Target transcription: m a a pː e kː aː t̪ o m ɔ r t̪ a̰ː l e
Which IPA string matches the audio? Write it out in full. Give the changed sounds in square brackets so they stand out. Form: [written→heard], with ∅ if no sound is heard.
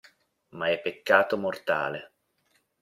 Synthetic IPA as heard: m a [a→ɛ] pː e kː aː t̪ o m [ɔ→o] r t̪ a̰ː l e